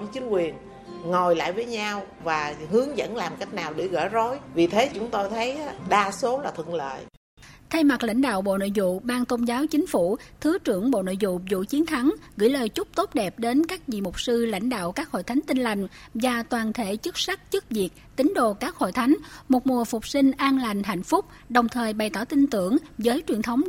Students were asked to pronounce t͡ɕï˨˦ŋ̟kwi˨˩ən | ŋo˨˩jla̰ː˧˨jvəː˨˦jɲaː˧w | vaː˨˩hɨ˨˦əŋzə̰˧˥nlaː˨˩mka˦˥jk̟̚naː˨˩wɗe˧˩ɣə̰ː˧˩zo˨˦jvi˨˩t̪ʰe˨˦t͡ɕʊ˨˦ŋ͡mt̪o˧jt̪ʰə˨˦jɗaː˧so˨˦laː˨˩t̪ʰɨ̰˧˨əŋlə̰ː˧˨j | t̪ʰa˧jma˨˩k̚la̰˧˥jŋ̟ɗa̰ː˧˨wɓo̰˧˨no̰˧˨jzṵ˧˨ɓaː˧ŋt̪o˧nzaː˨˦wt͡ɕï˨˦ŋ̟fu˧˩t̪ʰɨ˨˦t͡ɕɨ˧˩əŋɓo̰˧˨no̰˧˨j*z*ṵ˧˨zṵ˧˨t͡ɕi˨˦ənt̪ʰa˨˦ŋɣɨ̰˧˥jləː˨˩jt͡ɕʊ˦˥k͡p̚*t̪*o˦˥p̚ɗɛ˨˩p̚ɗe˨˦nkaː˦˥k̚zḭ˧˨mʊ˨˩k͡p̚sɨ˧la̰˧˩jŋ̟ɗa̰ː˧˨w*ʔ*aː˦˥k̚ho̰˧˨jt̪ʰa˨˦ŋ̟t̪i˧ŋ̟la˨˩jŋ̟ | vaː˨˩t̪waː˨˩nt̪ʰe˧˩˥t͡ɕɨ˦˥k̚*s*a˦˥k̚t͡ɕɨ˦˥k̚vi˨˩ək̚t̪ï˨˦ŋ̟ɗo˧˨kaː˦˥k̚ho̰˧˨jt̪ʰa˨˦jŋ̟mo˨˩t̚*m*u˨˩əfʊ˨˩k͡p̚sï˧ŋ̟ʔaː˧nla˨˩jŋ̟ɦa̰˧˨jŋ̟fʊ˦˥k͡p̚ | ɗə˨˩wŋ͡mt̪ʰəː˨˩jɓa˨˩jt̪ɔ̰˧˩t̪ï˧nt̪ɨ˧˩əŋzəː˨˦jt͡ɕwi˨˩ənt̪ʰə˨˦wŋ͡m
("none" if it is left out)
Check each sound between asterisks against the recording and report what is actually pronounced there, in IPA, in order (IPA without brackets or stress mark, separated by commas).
z, t̪, k, s, m